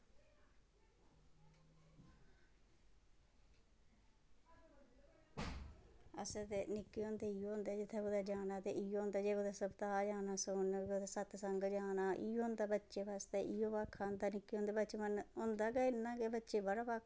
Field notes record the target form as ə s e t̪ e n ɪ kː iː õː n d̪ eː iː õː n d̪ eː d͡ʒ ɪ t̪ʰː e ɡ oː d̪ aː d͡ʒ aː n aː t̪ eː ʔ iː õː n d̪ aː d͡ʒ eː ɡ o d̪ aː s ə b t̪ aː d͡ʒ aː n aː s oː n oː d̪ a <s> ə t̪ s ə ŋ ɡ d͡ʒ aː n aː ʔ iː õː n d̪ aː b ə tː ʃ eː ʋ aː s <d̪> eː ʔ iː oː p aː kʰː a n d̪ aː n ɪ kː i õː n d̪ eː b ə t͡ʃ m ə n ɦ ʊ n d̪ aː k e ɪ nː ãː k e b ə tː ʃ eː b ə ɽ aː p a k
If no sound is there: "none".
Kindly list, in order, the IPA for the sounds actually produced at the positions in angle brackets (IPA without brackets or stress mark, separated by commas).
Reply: s, t̪